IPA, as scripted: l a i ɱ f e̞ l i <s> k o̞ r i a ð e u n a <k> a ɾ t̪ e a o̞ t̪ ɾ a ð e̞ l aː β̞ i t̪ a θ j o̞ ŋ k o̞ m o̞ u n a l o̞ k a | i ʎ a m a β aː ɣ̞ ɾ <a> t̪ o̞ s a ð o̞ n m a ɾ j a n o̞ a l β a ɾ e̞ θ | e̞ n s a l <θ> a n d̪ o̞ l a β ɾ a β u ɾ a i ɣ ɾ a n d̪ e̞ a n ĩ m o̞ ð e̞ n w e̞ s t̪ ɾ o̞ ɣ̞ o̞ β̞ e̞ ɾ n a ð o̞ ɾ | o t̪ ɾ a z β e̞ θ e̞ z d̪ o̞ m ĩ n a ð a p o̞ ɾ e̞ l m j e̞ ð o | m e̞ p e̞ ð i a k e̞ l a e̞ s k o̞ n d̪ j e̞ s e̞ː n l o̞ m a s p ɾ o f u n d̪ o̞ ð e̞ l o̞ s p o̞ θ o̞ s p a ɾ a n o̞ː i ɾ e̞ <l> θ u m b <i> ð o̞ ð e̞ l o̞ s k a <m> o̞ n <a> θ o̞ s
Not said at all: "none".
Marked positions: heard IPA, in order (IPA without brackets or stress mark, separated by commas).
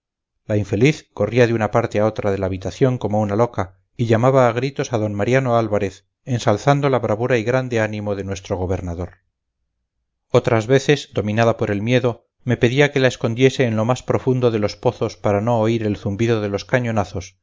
θ, p, i, θ, l, i, ɲ, a